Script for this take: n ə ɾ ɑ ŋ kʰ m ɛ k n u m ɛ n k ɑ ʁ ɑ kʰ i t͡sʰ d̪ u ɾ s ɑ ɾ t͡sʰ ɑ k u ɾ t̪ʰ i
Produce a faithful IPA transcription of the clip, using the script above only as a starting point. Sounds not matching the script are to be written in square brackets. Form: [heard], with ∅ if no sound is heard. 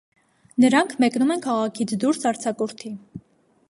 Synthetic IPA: n ə ɾ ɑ ŋ kʰ m ɛ k n u m ɛ n [kʰ] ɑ ʁ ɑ kʰ i t͡sʰ d̪ u ɾ s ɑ ɾ t͡sʰ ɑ k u ɾ t̪ʰ i